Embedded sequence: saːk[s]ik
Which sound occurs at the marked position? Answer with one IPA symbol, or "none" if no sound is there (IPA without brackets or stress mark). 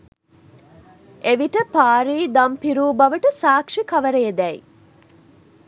ʂ